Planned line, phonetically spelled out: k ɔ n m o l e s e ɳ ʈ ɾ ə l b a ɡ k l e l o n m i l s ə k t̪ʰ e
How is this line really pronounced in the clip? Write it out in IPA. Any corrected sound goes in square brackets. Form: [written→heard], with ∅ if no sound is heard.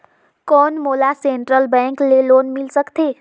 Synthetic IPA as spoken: k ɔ n m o l [e→a] s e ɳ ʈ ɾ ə l b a [ɡ→ŋ] k l e l o n m i l s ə k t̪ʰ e